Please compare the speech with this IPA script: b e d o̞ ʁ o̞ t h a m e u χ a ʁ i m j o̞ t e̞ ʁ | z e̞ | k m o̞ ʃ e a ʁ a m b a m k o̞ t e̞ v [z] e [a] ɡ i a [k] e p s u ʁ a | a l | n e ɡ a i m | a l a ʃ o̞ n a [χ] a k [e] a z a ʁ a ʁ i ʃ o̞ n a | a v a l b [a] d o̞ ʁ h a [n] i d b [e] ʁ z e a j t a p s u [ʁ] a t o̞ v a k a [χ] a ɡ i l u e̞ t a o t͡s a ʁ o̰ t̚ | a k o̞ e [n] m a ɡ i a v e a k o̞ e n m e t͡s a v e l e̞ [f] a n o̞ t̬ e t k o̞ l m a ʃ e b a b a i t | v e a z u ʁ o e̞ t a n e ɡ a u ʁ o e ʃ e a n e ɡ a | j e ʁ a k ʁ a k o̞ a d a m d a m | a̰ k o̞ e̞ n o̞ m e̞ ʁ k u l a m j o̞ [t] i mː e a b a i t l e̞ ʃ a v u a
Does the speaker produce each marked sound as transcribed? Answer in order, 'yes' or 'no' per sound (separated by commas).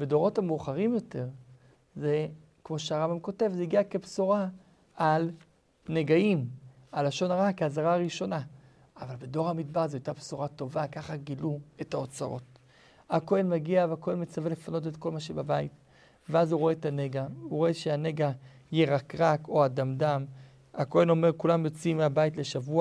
yes, no, yes, no, yes, no, no, no, yes, yes, yes, yes, no